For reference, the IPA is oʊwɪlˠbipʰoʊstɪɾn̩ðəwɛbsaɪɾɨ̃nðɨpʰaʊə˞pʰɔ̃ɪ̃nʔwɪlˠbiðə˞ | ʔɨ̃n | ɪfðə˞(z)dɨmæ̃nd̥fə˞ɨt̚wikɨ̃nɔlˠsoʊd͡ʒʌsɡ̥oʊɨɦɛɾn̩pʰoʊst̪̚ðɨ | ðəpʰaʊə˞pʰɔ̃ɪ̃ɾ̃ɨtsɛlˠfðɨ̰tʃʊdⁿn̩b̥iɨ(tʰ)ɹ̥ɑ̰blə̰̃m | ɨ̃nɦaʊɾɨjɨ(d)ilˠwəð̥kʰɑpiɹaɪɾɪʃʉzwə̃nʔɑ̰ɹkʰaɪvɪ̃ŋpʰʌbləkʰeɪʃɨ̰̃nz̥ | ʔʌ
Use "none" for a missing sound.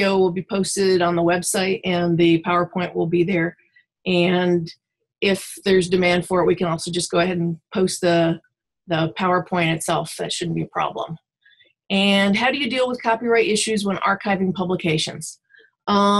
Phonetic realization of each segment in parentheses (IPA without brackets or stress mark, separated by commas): z, pʰ, d